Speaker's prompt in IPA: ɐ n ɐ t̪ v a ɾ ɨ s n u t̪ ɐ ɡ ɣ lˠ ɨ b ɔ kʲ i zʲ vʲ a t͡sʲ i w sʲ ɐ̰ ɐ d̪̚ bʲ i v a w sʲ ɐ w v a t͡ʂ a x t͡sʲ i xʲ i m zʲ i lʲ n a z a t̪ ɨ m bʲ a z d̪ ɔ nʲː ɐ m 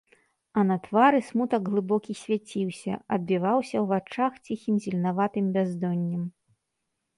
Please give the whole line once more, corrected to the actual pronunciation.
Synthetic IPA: ɐ n ɐ t̪ v a ɾ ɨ s m u t̪ ɐ ɡ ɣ lˠ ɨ b ɔ kʲ i sʲ vʲ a t͡sʲ i w sʲ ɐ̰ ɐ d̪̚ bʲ i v a w sʲ ɐ w v a t͡ʂ a x t͡sʲ i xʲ i m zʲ i lʲ n a v a t̪ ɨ m bʲ a z d̪ ɔ nʲː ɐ m